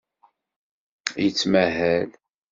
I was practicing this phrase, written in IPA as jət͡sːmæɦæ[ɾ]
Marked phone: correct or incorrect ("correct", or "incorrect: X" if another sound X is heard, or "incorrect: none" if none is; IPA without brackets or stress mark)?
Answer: incorrect: l